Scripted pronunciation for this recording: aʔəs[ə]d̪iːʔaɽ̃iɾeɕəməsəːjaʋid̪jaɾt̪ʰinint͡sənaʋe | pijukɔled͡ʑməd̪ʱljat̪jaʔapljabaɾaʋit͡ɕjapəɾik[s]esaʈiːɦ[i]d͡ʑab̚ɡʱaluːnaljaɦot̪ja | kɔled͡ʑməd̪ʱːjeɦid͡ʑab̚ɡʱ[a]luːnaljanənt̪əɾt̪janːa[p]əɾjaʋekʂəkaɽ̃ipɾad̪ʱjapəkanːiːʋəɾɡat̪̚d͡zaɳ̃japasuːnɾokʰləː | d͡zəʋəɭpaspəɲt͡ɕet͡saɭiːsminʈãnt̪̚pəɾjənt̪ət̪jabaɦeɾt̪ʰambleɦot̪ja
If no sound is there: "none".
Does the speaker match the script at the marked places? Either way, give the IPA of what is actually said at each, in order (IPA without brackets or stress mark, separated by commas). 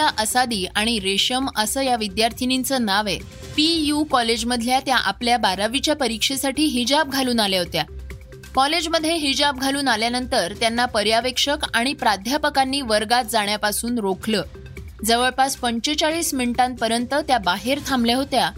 a, ʂ, i, a, p